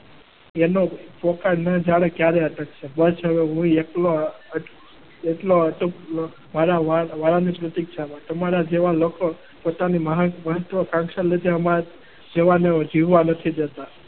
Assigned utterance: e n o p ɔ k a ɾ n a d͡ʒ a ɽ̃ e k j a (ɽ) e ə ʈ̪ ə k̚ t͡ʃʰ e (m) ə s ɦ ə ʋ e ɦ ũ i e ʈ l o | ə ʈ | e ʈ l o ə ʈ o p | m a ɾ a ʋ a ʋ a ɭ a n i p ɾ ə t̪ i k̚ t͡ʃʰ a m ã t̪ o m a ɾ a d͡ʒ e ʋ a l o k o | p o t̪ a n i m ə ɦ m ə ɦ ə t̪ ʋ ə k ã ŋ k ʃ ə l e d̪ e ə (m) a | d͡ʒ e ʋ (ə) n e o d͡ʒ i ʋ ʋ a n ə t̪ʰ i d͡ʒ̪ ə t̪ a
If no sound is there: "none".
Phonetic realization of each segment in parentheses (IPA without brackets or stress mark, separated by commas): ɾ, b, m, a